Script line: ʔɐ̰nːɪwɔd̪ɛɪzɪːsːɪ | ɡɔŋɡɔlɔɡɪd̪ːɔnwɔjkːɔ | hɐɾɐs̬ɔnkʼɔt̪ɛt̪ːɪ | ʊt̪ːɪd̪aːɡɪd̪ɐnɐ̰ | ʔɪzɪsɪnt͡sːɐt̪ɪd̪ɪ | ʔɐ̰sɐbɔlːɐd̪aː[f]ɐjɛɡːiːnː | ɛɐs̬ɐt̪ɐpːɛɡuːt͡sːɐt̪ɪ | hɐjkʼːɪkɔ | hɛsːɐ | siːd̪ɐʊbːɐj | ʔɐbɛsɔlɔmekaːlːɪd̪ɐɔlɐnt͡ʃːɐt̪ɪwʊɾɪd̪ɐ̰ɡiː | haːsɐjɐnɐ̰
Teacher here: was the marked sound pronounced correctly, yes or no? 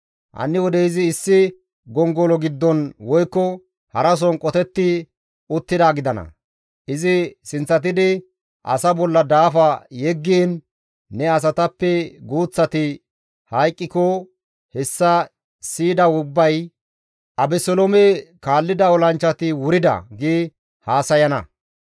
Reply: yes